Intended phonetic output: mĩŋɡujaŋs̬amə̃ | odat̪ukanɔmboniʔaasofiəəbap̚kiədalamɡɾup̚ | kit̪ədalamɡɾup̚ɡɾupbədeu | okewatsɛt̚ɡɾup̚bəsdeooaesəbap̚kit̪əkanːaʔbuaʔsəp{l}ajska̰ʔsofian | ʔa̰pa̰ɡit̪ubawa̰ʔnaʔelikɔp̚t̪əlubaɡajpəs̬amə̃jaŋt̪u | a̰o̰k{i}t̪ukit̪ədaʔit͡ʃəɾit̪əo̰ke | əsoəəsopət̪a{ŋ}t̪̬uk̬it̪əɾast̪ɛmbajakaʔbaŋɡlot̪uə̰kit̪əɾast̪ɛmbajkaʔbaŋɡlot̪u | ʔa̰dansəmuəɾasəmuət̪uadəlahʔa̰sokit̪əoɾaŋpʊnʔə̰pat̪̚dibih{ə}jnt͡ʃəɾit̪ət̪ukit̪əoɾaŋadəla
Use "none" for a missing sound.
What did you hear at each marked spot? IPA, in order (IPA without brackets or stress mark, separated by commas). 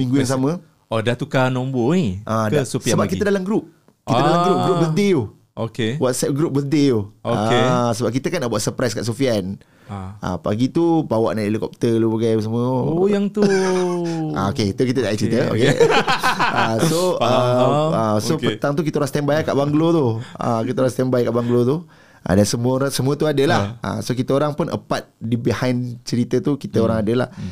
ɾ, e, ŋ, a